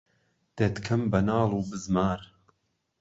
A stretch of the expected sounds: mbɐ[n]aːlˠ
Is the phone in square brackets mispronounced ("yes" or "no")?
no